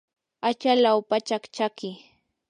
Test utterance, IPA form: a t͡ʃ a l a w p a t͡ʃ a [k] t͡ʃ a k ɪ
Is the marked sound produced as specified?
yes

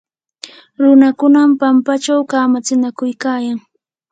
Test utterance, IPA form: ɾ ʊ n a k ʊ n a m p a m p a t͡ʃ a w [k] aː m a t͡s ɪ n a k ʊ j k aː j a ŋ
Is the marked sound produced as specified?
yes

